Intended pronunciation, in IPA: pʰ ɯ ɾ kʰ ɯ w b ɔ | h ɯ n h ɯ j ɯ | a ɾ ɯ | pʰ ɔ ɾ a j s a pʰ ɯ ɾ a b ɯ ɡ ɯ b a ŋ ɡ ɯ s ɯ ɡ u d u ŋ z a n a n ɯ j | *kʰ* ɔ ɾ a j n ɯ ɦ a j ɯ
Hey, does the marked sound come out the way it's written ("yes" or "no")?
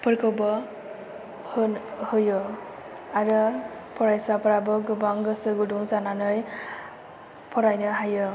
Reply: no